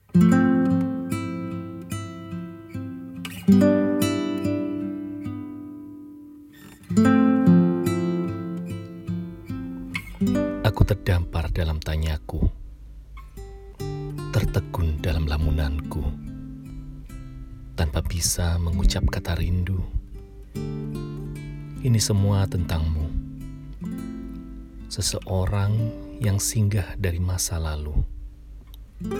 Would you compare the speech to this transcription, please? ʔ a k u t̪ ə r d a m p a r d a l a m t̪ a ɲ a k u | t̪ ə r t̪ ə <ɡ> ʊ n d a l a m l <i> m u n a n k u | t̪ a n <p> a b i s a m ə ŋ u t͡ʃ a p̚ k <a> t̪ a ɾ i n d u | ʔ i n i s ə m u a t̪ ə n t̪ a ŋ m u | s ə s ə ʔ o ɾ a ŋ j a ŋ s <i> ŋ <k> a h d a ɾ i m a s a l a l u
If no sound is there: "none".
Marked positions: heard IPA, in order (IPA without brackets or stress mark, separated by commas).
ɡ, a, p, a, i, ɡ